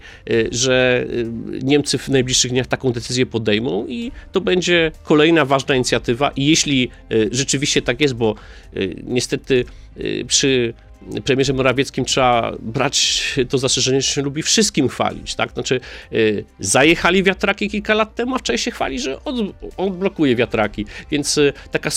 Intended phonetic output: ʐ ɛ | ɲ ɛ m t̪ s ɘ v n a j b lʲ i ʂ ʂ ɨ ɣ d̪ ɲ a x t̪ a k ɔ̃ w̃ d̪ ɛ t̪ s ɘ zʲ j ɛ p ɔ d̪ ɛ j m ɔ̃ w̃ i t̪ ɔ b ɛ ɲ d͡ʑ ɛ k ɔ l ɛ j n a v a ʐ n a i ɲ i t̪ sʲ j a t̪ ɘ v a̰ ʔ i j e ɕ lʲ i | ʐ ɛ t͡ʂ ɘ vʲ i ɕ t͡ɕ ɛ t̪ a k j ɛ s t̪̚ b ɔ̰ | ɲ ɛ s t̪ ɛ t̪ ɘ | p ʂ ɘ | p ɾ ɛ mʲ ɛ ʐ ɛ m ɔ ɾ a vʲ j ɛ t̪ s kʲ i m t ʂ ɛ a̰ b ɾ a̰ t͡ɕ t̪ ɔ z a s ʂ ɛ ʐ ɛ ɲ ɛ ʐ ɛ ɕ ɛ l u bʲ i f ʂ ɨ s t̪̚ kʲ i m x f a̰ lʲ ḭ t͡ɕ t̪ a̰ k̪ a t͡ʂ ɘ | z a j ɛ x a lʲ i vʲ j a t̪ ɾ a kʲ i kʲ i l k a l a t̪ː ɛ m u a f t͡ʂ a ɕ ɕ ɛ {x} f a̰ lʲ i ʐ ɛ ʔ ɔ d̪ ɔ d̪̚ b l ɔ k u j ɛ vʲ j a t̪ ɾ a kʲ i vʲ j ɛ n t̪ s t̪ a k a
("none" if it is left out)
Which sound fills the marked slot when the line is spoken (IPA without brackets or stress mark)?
x